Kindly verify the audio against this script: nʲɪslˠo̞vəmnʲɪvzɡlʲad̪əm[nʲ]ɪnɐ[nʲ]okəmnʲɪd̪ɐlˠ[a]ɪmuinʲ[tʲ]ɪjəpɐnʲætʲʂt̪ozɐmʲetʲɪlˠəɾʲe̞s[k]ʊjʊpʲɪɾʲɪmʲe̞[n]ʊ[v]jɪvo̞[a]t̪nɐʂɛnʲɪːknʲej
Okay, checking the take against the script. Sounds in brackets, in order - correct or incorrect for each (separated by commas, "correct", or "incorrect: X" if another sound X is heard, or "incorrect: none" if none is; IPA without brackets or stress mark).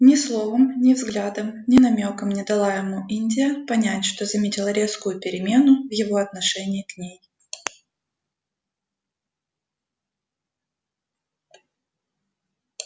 correct, incorrect: mʲ, correct, incorrect: dʲ, correct, correct, correct, incorrect: ɐ